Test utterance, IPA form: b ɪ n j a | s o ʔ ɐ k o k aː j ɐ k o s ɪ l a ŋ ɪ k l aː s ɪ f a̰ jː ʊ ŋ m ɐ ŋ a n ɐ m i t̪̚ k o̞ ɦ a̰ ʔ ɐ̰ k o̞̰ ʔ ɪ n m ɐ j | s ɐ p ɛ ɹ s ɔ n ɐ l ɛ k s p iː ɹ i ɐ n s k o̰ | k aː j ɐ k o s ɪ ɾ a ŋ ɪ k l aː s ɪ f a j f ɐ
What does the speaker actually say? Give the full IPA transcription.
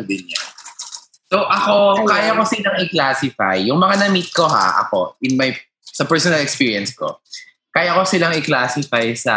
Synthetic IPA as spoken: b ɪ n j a | s o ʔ ɐ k o k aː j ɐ k o s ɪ l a ŋ ɪ k l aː s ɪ f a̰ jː ʊ ŋ m ɐ ŋ a n ɐ m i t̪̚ k o̞ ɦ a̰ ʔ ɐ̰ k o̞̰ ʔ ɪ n m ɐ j | s ɐ p ɛ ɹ s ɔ n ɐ l ɛ k s p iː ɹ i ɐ n s k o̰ | k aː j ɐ k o s ɪ l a ŋ ɪ k l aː s ɪ f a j s ɐ